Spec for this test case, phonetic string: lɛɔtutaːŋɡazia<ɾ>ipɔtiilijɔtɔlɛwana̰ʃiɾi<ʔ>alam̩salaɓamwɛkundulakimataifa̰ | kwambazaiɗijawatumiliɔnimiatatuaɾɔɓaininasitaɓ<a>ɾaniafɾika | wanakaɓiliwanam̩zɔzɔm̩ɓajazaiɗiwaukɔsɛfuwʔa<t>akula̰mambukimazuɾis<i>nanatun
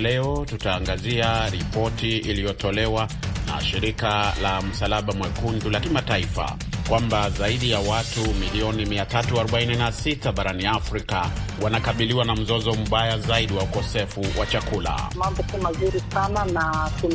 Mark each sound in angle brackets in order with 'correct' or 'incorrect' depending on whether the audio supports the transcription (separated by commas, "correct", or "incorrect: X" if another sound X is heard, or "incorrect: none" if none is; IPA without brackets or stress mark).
correct, incorrect: k, correct, incorrect: t͡ʃ, incorrect: a